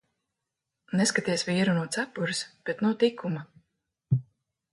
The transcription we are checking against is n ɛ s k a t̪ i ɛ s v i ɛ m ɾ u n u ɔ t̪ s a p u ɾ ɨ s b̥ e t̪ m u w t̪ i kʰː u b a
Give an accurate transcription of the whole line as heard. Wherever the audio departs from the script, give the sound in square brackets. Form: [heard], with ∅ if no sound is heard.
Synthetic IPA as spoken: n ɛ s k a t̪ i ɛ s v i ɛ [∅] ɾ u n u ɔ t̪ s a p u ɾ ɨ s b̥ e t̪ [n] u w t̪ i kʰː u [m] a